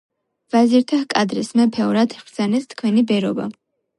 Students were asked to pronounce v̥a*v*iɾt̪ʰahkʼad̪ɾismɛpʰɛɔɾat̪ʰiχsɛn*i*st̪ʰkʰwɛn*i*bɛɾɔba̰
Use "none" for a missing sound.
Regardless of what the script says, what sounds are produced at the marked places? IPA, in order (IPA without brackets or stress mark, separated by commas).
z, ɛ, i